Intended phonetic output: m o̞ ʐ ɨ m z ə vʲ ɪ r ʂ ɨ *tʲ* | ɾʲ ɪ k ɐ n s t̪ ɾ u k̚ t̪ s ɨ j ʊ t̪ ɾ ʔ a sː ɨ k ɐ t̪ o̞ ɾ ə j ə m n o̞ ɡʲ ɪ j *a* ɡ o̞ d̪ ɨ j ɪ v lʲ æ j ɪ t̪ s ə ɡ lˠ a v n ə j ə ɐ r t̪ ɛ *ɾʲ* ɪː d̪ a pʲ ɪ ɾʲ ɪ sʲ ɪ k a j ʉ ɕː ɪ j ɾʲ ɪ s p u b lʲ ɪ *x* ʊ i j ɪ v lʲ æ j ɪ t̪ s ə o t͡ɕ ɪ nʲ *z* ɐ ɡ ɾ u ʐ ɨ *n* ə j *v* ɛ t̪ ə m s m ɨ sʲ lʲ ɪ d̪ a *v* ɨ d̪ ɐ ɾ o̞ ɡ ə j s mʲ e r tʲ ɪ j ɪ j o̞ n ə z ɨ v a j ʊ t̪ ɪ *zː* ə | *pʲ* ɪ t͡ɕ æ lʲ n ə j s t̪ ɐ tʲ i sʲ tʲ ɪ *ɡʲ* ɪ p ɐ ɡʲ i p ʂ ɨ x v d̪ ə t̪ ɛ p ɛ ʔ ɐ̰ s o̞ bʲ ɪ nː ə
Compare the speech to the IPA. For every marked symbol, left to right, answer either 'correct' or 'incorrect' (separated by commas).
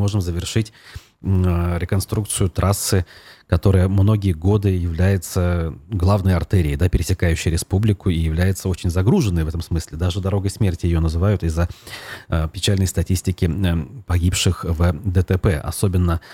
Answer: correct, incorrect, correct, incorrect, correct, incorrect, correct, incorrect, correct, correct, incorrect